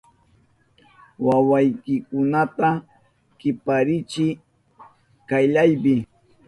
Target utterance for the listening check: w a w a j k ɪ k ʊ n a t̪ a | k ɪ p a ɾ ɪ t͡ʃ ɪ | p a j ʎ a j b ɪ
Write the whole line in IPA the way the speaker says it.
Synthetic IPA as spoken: w a w a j k ɪ k ʊ n a t̪ a | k ɪ p a ɾ ɪ t͡ʃ ɪ | k a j ʎ a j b ɪ